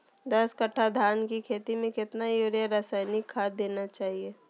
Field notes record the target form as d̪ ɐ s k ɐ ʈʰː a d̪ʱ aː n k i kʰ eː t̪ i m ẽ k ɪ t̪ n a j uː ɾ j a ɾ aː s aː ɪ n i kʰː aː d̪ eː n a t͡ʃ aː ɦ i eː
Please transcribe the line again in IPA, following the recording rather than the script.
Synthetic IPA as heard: d̪ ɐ s k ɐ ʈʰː a d̪ʱ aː n k i kʰ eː t̪ i m ẽ k ɪ t̪ n a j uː ɾ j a ɾ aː s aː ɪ n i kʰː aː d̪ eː n a t͡ʃ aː ɦ i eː